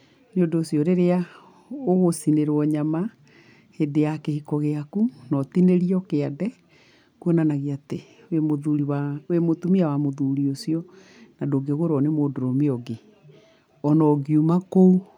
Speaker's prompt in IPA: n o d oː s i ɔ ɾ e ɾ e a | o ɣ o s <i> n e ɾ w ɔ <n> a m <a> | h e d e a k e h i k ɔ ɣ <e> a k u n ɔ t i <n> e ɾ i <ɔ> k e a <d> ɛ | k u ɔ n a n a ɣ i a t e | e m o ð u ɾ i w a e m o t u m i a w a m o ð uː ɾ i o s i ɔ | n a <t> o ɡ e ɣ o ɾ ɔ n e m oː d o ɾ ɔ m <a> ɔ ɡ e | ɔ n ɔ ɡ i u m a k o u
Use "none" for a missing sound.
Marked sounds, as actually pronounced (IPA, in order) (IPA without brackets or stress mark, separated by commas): i, ɲ, a, e, n, ɔ, d, d, e